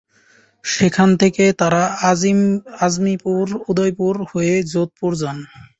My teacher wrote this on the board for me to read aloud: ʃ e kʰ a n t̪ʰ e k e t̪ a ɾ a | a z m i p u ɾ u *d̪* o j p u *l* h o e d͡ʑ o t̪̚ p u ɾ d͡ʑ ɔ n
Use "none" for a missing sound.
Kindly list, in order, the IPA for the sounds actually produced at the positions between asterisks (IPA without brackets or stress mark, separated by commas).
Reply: d̪, ɾ